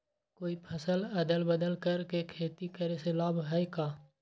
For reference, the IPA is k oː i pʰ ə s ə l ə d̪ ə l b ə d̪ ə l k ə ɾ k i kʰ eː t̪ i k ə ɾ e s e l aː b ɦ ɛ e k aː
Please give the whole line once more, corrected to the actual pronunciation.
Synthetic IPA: k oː i pʰ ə s ə l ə d̪ ə l b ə d̪ ə l k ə ɾ k e kʰ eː t̪ i k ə ɾ e s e l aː b ɦ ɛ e k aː